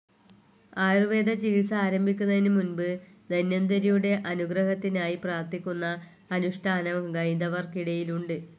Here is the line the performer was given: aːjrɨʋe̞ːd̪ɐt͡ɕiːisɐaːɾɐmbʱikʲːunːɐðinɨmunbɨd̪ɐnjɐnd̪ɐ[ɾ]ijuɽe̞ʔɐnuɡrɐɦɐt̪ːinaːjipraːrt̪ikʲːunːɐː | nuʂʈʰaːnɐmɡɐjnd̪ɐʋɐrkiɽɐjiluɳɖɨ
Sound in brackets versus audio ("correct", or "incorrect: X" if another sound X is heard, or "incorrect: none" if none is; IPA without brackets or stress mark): correct